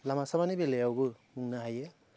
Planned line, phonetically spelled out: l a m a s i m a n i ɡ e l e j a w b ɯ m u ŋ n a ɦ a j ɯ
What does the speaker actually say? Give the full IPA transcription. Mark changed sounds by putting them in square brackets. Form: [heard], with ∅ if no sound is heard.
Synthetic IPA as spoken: l a m a s [a] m a n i [b] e l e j a w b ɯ m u ŋ n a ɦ a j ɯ